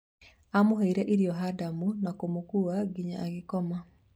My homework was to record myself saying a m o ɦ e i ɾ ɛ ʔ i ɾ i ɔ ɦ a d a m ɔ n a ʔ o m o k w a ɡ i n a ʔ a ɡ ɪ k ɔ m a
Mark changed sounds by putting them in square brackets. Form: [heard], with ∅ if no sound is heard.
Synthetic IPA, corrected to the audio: a m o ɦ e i ɾ ɛ ʔ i ɾ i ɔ ɦ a d a m [u] n a [k] o m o k [u] a ɡ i [ɲ] a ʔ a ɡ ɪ k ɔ m a